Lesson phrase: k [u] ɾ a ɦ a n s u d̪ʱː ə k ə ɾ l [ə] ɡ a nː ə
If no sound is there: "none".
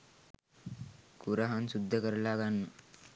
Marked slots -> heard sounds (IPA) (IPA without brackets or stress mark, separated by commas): u, a